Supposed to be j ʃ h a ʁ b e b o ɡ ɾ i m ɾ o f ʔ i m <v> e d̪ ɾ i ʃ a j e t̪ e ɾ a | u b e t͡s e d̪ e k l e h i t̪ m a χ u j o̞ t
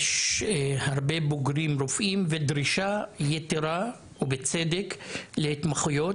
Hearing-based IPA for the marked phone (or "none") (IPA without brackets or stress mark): v